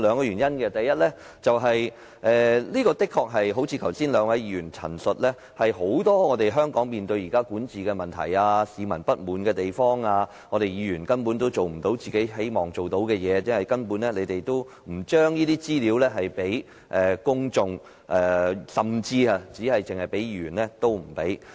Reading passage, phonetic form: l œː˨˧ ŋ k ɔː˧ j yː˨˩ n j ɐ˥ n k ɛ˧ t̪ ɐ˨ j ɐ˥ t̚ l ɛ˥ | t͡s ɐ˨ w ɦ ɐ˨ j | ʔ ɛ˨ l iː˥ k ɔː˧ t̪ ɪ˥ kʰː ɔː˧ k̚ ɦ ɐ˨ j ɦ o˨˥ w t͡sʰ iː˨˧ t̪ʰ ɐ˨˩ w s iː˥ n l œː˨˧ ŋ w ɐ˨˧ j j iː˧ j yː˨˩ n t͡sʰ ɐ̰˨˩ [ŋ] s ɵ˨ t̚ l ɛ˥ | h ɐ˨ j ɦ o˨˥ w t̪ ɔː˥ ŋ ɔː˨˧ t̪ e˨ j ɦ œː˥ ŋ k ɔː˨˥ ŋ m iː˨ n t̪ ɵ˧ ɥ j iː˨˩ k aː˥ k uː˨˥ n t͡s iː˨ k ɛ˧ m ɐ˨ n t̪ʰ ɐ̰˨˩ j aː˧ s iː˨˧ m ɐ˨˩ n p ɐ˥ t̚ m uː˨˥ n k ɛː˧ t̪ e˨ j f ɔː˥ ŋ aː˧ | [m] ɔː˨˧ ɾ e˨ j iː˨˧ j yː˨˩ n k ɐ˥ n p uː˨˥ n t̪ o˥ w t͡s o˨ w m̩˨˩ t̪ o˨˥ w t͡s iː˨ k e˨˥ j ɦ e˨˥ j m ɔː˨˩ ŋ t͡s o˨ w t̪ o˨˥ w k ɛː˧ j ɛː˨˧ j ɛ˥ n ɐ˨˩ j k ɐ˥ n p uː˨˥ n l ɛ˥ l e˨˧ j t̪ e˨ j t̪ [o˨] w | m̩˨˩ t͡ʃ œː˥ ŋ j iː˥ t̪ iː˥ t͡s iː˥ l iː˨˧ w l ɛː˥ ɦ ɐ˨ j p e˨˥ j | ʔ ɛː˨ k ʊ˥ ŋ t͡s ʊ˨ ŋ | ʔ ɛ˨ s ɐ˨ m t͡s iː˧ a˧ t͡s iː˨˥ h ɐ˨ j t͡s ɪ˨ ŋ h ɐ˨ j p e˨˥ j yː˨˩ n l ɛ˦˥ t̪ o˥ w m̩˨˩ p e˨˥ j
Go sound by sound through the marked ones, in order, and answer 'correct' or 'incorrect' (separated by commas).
incorrect, incorrect, incorrect